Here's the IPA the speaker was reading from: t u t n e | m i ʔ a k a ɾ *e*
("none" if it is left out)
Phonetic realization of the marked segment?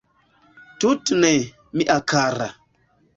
a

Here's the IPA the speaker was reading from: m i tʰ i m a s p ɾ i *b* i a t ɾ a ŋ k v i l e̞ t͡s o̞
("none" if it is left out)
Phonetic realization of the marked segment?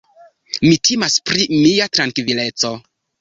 m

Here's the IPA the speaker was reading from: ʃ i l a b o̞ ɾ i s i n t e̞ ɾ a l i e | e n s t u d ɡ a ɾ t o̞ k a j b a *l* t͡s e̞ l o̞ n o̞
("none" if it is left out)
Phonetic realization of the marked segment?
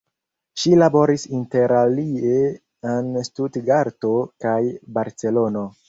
ɾ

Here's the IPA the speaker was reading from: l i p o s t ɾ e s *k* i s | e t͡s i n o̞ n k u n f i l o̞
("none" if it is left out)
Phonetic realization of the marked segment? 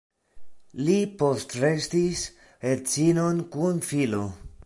t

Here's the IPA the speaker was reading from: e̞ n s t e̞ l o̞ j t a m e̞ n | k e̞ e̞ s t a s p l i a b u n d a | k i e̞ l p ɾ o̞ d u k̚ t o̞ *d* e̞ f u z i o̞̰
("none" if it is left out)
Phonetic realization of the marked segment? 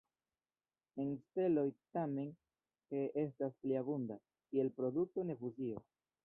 n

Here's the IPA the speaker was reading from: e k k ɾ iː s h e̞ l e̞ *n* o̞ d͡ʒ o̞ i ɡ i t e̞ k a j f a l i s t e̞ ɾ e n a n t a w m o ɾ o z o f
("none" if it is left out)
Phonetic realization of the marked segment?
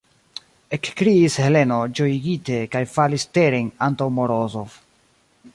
n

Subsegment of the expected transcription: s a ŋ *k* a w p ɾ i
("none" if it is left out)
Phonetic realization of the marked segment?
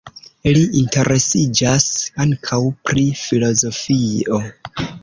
kʰ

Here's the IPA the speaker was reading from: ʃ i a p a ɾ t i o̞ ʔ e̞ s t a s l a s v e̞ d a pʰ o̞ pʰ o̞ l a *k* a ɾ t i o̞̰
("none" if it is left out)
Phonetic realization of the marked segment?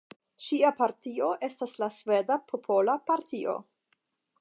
p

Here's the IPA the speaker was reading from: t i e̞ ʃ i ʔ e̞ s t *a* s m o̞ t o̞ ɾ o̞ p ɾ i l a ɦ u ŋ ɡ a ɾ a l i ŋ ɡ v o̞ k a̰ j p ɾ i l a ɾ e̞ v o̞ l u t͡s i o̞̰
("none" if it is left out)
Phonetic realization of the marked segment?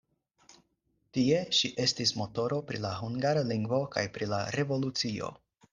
i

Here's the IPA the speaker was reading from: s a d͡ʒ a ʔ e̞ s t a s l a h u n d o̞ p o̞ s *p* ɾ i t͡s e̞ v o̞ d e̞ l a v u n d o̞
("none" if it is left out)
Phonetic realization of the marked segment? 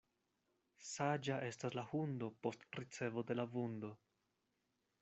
t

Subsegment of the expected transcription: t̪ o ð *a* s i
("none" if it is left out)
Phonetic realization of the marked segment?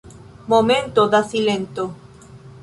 a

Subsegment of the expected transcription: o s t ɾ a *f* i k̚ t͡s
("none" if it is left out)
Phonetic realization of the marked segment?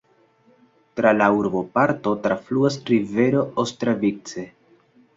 v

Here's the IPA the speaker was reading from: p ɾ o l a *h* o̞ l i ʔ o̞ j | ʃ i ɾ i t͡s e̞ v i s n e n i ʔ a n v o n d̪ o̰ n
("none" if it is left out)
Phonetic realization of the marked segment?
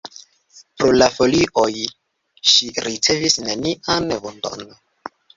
f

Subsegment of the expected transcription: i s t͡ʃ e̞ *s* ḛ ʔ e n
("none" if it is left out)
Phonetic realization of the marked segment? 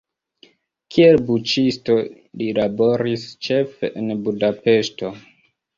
f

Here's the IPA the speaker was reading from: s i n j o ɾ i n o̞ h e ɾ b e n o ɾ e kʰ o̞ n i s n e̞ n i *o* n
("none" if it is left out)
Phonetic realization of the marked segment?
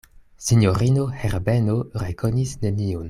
o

